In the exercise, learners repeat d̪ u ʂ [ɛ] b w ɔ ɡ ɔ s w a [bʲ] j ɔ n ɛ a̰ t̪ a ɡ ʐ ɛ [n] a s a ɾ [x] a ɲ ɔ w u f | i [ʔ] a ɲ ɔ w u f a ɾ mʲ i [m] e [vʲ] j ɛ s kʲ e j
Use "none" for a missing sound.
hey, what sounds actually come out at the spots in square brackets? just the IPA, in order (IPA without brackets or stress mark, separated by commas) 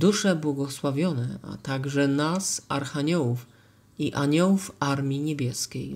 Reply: ɛ, vʲ, n, x, ʔ, ɲ, bʲ